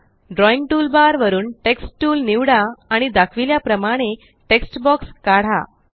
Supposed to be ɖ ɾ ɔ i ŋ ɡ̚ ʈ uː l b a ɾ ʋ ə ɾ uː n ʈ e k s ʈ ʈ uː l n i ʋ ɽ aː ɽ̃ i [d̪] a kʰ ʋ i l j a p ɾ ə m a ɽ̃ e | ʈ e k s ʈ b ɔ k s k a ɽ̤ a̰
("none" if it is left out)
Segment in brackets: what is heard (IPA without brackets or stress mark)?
d̪